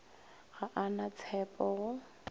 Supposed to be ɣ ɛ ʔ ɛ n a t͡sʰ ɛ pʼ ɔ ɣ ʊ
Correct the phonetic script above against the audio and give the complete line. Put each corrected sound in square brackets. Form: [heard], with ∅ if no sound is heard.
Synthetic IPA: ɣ [a] ʔ [a] n a t͡sʰ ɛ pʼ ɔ ɣ ʊ